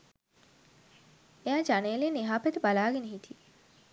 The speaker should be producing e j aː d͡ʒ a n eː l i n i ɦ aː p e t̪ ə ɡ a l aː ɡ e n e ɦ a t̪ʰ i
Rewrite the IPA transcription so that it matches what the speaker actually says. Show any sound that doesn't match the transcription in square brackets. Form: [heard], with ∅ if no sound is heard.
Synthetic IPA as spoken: e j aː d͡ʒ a n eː l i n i ɦ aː p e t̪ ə [b] a l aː ɡ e n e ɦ [i] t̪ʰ i